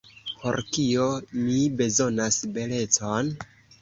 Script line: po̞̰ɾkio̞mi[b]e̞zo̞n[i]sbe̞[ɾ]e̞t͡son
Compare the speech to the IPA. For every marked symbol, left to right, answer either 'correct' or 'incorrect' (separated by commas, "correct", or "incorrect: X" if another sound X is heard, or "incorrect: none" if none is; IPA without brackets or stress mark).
correct, incorrect: a, incorrect: l